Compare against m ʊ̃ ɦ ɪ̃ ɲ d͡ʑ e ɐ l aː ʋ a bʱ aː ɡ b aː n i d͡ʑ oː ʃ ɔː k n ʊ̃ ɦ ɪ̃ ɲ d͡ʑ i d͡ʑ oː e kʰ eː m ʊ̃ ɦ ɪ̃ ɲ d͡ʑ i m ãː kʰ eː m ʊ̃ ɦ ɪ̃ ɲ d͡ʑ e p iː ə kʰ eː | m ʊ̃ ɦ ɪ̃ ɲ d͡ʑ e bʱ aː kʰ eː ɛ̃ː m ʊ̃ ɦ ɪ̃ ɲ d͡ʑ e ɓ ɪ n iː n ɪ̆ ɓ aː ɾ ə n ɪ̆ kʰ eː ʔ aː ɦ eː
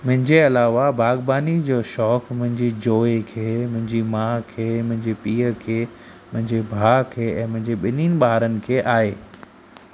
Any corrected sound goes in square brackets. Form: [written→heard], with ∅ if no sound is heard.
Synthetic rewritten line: m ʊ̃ ɦ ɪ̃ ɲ d͡ʑ e ɐ l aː ʋ a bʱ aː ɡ b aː n i d͡ʑ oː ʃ ɔː k [n→m] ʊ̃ ɦ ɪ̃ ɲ d͡ʑ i d͡ʑ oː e kʰ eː m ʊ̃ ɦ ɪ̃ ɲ d͡ʑ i m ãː kʰ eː m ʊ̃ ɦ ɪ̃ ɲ d͡ʑ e p iː ə kʰ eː | m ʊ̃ ɦ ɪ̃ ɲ d͡ʑ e bʱ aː kʰ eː ɛ̃ː m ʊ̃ ɦ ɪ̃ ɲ d͡ʑ e ɓ ɪ n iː n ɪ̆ ɓ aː ɾ ə n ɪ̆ kʰ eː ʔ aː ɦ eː